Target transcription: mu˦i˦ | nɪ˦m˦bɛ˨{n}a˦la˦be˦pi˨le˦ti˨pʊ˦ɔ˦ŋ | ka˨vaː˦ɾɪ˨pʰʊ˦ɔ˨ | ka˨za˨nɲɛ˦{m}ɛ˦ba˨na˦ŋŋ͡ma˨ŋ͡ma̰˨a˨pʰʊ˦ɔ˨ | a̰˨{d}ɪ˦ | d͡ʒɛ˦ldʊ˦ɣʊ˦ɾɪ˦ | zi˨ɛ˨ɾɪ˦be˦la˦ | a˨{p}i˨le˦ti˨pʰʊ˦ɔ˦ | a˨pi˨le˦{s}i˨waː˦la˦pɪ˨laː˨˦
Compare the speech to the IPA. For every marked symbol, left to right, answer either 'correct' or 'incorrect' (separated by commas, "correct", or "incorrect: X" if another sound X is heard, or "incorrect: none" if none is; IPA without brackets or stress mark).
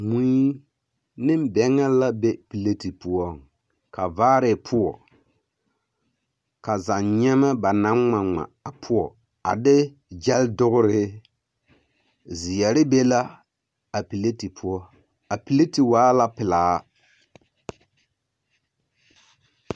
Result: incorrect: ŋ, correct, correct, correct, incorrect: t